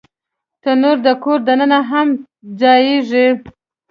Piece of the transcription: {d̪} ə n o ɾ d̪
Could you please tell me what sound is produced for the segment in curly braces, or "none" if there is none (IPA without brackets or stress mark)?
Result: t̪